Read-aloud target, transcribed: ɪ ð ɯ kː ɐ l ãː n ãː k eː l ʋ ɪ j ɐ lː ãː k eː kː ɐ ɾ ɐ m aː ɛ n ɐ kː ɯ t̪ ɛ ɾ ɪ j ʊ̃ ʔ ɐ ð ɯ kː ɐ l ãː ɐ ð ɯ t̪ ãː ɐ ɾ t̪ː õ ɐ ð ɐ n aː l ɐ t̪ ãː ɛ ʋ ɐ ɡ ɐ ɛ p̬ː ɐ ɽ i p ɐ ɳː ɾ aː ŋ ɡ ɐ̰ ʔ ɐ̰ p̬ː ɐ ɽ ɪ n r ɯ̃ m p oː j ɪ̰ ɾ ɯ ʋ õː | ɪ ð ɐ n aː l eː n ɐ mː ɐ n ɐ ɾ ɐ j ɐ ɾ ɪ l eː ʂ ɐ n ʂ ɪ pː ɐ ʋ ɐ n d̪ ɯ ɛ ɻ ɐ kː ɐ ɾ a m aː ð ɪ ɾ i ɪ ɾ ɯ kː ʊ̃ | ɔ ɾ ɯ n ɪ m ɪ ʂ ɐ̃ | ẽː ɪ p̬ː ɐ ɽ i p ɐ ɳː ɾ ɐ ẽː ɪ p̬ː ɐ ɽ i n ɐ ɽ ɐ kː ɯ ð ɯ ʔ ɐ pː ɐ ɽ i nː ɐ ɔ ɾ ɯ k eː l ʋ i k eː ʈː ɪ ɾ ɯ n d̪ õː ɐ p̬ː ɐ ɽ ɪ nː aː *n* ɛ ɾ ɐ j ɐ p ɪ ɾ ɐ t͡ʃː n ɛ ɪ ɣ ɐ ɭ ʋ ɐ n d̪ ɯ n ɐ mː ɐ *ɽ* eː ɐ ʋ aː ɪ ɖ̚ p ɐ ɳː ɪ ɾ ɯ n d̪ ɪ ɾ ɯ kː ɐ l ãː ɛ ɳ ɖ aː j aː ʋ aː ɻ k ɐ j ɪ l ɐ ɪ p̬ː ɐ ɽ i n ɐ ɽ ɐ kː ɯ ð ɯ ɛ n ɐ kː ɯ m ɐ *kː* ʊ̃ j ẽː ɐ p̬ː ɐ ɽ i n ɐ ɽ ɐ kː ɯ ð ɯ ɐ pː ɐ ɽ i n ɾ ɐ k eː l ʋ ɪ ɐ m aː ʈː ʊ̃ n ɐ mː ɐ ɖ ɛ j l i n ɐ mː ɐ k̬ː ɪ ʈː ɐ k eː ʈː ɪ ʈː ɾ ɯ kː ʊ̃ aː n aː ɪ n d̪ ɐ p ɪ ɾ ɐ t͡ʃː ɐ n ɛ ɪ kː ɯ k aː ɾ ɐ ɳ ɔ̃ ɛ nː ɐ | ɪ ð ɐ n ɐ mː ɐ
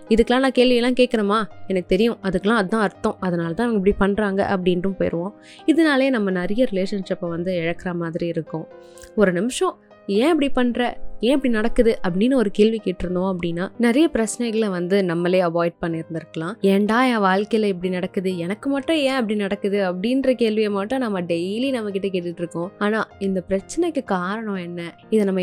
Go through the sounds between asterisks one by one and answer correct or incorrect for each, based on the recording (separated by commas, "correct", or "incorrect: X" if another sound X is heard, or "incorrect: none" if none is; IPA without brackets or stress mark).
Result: correct, incorrect: l, incorrect: ʈː